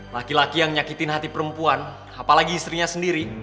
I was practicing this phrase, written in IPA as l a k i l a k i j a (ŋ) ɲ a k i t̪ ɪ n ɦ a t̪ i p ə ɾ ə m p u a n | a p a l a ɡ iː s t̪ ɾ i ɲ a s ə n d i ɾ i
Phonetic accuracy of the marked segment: correct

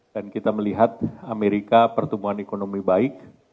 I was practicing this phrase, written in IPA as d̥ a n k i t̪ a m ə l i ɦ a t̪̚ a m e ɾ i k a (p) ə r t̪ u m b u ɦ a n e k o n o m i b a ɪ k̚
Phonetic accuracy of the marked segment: correct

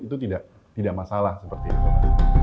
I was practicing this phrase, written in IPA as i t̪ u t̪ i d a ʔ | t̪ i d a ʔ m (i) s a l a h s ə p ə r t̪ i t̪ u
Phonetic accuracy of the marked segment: incorrect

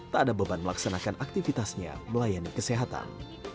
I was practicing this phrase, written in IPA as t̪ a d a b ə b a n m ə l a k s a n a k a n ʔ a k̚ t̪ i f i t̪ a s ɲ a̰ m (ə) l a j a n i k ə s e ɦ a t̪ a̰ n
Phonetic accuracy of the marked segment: correct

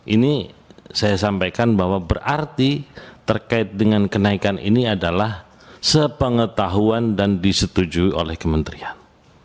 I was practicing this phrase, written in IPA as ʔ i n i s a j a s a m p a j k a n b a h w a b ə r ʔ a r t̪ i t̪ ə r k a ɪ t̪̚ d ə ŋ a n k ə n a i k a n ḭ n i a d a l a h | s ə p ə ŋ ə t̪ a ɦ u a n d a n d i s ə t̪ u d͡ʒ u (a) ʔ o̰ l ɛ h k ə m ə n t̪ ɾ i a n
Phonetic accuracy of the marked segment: incorrect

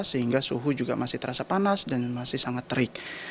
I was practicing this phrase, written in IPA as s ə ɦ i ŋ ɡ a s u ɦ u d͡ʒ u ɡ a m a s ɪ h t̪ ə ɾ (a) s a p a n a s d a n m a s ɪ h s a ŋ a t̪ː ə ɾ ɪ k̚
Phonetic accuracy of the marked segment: correct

